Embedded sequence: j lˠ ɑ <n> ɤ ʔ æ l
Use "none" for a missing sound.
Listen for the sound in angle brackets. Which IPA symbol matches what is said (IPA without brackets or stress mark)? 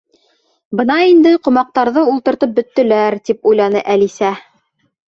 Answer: n